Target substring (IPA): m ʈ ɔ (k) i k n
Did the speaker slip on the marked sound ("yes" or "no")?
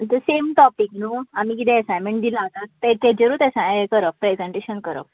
yes